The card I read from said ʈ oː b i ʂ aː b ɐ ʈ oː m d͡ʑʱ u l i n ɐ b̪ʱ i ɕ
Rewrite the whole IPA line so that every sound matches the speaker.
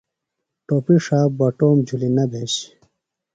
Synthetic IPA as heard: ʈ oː p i ʂ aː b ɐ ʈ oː m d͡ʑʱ u l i n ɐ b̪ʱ e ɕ